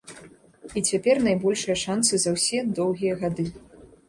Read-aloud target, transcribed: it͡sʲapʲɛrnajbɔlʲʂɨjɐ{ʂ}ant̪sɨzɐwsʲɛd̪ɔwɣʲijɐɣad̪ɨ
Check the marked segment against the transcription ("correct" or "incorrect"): correct